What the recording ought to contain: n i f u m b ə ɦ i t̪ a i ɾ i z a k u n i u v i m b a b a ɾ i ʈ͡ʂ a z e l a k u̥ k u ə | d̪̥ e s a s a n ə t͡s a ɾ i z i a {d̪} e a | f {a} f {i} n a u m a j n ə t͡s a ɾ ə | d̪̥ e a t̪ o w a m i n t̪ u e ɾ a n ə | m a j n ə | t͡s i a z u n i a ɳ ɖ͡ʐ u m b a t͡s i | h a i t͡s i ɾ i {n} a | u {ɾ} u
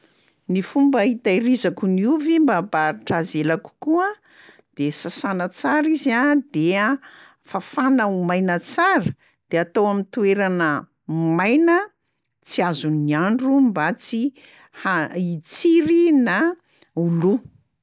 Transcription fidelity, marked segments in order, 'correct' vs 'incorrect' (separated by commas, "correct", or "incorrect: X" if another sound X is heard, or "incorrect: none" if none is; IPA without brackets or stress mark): correct, correct, incorrect: a, correct, incorrect: l